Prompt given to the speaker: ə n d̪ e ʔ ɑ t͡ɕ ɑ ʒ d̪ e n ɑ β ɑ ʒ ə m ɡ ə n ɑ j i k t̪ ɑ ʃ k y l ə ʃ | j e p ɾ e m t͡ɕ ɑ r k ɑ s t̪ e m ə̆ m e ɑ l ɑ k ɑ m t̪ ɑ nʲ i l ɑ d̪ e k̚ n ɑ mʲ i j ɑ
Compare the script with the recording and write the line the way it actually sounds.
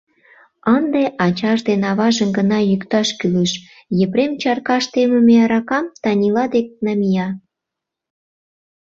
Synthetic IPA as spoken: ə n d̪ e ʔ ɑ t͡ɕ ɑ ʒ d̪ e n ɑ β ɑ ʒ ə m ɡ ə n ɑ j y k t̪ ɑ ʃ k y l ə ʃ | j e p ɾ e m t͡ɕ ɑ r k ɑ ʃ t̪ e m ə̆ m e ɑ ɾ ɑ k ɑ m t̪ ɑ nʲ i l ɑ d̪ e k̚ n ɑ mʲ i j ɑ

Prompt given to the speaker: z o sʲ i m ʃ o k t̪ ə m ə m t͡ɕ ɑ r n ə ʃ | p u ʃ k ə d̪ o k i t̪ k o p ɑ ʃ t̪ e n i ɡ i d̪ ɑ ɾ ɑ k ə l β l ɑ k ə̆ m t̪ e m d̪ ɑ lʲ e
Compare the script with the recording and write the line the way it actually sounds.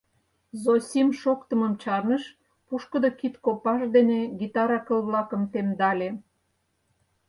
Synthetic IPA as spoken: z o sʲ i m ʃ o k t̪ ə m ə m t͡ɕ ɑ r n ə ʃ | p u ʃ k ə d̪ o k i t̪ k o p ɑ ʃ d̪ e n e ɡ i t̪ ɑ ɾ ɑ k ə l β l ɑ k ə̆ m t̪ e m d̪ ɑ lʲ e

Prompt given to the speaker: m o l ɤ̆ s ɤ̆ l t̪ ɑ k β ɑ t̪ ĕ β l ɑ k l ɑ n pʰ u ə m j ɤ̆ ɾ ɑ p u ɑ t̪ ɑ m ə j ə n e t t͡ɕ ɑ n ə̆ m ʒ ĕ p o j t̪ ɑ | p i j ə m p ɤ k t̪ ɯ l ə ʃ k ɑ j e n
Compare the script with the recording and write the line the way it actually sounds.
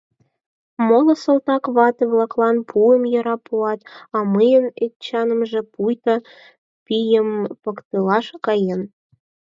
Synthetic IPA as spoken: m o l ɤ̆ s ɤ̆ l t̪ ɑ k β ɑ t̪ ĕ β l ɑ k l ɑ n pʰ u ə m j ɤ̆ ɾ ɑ p u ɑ t̪ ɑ m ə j ə n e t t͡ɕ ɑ n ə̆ m ʒ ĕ p u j t̪ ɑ | p i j ə m p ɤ k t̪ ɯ l ɑ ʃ k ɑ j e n

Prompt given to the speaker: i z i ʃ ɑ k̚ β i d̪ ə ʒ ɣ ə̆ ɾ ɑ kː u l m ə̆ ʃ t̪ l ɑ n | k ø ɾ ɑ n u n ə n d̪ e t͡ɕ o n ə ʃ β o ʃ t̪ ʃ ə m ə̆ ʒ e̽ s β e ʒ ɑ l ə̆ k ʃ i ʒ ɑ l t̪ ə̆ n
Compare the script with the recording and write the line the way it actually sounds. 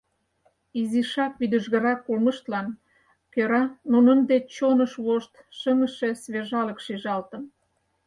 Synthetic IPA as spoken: i z i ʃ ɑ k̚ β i d̪ ə ʒ ɣ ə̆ ɾ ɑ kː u l m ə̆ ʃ t̪ l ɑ n | k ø ɾ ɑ n u n ə n d̪ e t͡ɕ o n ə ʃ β o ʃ t̪ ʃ ə m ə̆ ʃ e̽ s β e ʒ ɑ l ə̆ k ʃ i ʒ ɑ l t̪ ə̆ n

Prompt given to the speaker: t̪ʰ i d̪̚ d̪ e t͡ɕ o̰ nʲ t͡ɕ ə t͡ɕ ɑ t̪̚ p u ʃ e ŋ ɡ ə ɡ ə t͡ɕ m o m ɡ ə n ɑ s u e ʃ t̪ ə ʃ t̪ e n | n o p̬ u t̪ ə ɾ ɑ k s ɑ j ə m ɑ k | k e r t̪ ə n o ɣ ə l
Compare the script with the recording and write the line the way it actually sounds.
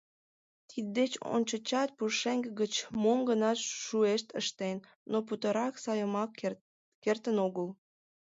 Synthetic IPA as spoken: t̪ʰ i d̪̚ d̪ e t͡ɕ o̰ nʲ t͡ɕ ə t͡ɕ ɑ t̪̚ p u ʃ e ŋ ɡ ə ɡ ə t͡ɕ m o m ɡ ə n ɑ ʃ u e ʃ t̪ ə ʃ t̪ e n | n o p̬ u t̪ ə ɾ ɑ k s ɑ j ə m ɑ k | k e r t̪ ə n o ɣ ə l

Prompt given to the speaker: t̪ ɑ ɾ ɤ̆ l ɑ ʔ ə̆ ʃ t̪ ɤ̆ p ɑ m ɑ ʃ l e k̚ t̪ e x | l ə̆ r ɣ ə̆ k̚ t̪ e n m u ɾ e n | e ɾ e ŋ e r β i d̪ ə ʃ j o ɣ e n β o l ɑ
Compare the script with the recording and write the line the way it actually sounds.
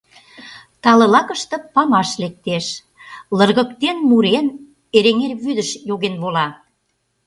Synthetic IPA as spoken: t̪ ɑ l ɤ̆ l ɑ k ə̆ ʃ t̪ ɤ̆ p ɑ m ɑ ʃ l e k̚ t̪ e ʃ | l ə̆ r ɣ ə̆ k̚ t̪ e n m u ɾ e n | e ɾ e ŋ e r β y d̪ ə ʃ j o ɣ e n β o l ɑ

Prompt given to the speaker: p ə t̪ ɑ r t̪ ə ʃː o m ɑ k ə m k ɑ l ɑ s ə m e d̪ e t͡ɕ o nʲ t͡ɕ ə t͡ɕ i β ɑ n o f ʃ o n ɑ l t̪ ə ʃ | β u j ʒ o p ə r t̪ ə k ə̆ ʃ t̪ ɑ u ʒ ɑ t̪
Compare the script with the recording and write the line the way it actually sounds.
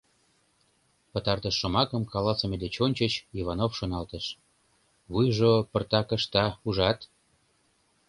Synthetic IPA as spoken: p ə t̪ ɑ r t̪ ə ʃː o m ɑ k ə m k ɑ l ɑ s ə m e d̪ e t͡ɕ o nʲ t͡ɕ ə t͡ɕ i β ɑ n o f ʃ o n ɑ l t̪ ə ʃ | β u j ʒ o p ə r t̪ ɑ k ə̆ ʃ t̪ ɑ u ʒ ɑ t̪

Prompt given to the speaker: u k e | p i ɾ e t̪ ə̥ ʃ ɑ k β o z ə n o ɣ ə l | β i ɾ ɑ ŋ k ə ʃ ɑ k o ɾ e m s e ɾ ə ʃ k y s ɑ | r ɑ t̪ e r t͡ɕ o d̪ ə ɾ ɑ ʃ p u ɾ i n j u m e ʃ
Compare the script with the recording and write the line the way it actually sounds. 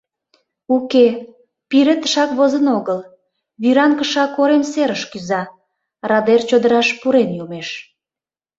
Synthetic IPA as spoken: u k e | p i ɾ e t̪ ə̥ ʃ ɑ k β o z ə n o ɣ ə l | β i ɾ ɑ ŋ k ə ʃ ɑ k o ɾ e m s e ɾ ə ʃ k y z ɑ | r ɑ d̪ e r t͡ɕ o d̪ ə ɾ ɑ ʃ p u ɾ e n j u m e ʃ

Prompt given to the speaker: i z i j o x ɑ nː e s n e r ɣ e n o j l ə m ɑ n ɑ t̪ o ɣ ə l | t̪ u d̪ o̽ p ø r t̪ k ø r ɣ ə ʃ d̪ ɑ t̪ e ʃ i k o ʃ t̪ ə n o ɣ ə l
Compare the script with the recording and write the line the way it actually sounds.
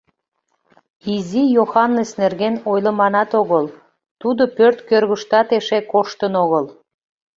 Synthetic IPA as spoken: i z i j o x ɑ nː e s n e r ɣ e n o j l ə m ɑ n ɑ t̪ o ɣ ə l | t̪ u d̪ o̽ p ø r t̪ k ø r ɣ ə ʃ t̪ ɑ t̪ e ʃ e k o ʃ t̪ ə n o ɣ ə l

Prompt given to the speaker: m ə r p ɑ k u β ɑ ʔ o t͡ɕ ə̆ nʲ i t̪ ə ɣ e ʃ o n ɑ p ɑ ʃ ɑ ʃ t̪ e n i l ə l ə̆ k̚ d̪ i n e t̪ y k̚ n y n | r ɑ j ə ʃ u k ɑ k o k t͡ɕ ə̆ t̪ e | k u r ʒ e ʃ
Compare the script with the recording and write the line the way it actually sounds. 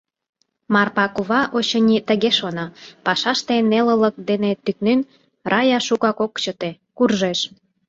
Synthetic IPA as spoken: m ɑ r p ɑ k u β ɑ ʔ o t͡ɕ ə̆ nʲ i t̪ ə ɣ e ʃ o n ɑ p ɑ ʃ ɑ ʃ t̪ e n e l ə l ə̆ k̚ d̪ e n e t̪ y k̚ n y n | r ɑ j ɑ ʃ u k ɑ k o k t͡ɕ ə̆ t̪ e | k u r ʒ e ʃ

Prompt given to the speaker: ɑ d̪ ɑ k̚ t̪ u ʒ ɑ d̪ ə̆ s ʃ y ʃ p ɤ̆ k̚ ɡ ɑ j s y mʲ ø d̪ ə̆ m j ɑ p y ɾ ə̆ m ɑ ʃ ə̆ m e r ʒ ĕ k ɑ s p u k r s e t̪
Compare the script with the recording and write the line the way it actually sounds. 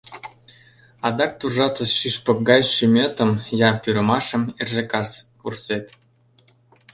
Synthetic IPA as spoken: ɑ d̪ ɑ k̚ t̪ u ʒ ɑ t̪ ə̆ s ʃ y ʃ p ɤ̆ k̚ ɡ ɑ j ʃ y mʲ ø t̪ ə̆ m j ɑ p y ɾ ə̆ m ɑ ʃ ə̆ m e r ʒ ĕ k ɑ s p u r s e t̪

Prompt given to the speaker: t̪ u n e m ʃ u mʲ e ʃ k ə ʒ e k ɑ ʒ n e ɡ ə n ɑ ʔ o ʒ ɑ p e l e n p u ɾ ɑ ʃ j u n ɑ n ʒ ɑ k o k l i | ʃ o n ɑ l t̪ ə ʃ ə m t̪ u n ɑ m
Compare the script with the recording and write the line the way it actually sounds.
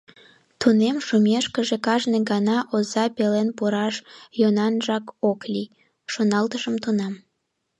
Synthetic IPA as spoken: t̪ u n e m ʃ u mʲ e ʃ k ə ʒ e k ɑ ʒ n e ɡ ɑ n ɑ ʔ o z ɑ p e l e n p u ɾ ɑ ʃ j o n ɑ n ʒ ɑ k o k l i | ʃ o n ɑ l t̪ ə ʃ ə m t̪ u n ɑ m

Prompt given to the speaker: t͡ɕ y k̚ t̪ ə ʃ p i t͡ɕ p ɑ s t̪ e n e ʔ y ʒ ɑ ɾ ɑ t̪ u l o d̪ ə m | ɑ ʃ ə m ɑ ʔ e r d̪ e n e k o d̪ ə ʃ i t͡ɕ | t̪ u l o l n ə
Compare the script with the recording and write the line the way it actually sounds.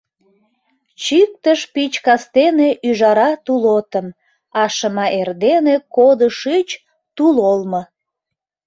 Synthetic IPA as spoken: t͡ɕ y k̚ t̪ ə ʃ p i t͡ɕ k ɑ s t̪ e n e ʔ y ʒ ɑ ɾ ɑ t̪ u l o t̪ ə m | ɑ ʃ ə m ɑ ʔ e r d̪ e n e k o d̪ ə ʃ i t͡ɕ | t̪ u l o l m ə

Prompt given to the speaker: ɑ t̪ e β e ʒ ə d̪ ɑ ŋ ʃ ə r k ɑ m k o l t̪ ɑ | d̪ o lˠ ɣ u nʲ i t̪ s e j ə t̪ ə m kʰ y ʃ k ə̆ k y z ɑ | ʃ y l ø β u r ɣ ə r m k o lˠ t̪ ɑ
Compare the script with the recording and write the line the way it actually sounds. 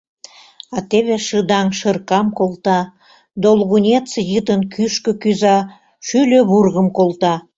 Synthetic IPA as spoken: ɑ t̪ e β e ʃ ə d̪ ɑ ŋ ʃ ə r k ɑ m k o l t̪ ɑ | d̪ o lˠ ɣ u nʲ e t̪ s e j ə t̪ ə n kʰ y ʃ k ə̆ k y z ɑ | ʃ y l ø β u r ɣ ə m k o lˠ t̪ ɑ

